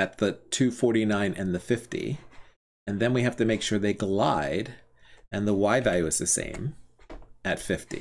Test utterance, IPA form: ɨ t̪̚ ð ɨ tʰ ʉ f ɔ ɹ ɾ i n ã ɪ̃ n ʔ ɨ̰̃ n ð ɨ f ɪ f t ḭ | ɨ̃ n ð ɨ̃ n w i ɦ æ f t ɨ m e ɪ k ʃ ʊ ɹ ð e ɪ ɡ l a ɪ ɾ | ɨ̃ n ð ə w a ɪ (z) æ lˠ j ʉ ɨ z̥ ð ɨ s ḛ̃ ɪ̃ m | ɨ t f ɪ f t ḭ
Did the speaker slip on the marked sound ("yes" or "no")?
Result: yes